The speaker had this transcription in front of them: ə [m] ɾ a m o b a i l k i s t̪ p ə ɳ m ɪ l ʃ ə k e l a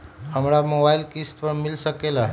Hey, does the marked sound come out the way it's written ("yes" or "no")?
yes